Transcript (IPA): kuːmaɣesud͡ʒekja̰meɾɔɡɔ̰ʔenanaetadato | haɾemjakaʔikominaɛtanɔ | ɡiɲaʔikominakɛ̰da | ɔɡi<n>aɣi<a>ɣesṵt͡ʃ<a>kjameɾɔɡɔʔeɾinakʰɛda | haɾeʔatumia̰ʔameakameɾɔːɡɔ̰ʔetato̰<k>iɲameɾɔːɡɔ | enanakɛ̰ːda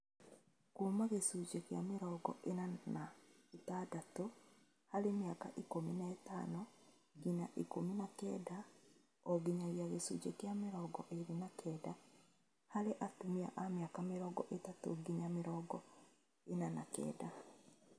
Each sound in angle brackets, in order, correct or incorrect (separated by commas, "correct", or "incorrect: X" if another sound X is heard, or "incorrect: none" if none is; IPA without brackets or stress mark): incorrect: ɲ, correct, incorrect: e, incorrect: ɡ